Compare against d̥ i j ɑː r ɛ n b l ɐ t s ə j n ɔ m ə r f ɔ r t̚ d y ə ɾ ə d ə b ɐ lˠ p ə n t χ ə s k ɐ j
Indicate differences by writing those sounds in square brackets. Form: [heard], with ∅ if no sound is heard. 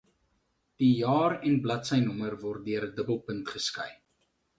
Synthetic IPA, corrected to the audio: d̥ i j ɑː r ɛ n b l ɐ t s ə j n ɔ m ə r [v] ɔ r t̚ d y ə ɾ ə d ə b [ə] lˠ p ə n t χ ə s k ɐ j